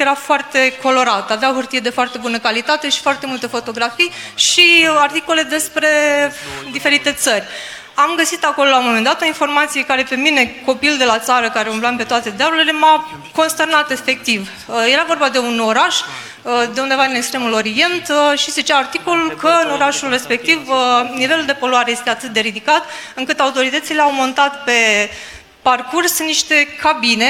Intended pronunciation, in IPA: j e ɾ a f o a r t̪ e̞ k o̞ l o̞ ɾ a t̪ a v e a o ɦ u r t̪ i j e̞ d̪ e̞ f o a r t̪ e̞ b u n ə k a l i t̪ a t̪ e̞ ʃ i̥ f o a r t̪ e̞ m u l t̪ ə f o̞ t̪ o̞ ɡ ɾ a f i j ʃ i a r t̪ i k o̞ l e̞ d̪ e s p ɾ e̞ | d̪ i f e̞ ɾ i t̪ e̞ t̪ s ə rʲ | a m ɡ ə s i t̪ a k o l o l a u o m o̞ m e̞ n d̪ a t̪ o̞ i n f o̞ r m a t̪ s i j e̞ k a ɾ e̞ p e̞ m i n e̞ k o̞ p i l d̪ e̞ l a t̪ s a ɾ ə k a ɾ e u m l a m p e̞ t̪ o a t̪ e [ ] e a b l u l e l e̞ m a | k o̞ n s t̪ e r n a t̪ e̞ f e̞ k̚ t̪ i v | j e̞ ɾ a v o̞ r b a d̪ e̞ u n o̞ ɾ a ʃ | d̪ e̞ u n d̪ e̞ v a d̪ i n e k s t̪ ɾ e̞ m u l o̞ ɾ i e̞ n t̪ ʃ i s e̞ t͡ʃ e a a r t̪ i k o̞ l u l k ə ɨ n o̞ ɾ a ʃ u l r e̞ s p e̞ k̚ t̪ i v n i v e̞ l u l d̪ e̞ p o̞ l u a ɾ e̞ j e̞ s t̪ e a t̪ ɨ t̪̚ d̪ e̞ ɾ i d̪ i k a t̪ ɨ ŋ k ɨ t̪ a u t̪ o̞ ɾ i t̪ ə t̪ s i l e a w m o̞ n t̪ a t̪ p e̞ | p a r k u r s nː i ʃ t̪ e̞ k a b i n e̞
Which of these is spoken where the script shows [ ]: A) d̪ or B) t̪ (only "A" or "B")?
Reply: A